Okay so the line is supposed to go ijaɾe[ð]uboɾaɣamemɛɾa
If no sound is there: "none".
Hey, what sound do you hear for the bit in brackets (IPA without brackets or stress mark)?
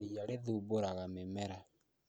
ð